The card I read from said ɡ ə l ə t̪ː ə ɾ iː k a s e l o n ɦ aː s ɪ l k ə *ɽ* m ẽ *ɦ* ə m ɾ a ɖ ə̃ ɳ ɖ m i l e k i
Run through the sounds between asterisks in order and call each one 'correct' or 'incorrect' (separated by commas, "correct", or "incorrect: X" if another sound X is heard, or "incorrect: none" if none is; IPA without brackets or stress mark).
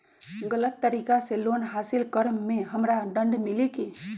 incorrect: ɾ, correct